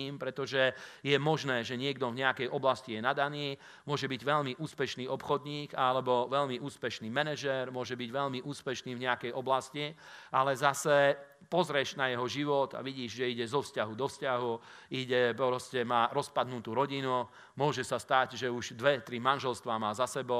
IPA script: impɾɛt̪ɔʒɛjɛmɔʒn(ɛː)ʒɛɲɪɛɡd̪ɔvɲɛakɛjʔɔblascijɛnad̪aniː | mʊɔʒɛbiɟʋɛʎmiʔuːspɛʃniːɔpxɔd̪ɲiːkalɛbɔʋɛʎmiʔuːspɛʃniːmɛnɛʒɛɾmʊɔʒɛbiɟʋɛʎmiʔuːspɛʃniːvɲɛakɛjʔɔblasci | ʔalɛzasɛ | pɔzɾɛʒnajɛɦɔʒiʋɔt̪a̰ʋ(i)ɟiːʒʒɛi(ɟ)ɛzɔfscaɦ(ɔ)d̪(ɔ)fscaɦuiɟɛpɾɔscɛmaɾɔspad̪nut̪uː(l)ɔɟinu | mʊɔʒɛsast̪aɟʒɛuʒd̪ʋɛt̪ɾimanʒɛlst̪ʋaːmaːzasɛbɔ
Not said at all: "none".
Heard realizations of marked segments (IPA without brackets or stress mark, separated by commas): ɛː, i, ɟ, u, ɔ, ɾ